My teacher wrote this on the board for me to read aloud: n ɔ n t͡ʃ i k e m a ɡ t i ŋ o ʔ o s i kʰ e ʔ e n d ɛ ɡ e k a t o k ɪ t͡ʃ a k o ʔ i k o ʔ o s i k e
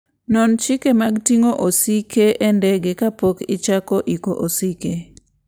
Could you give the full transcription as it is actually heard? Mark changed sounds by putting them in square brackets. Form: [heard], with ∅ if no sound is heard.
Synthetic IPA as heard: n ɔ n t͡ʃ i k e m a ɡ t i ŋ o ʔ o s i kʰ e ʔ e n d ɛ ɡ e k a [p] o k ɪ t͡ʃ a k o ʔ i k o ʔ o s i k e